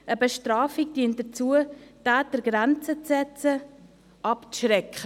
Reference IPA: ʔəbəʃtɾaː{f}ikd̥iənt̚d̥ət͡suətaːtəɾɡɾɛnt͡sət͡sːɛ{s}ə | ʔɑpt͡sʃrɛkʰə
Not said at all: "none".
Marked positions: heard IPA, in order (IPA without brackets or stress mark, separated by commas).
f, t͡s